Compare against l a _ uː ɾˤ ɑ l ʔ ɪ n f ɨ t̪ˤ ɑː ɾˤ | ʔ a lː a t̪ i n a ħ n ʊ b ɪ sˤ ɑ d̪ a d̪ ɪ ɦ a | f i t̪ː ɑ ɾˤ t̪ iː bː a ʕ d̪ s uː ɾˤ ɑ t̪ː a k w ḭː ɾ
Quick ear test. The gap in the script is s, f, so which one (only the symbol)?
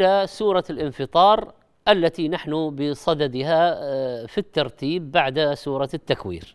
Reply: s